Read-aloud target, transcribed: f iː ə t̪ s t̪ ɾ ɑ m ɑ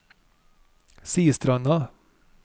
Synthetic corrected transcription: s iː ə s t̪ ɾ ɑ n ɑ